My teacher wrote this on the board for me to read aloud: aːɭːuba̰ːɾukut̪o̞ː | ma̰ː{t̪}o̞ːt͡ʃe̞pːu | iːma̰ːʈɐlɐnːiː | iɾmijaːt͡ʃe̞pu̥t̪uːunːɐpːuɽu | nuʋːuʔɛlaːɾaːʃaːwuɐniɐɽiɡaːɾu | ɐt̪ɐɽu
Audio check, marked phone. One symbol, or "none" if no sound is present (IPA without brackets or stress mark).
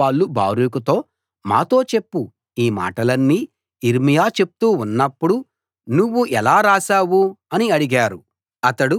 t̪